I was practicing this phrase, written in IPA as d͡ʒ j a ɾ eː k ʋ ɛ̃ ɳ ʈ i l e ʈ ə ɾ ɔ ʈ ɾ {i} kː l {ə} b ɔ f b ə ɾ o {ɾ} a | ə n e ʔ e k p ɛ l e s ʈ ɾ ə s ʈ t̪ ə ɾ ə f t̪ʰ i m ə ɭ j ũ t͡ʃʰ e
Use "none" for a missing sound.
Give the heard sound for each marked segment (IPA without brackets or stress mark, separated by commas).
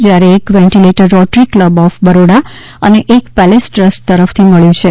i, ə, ɽ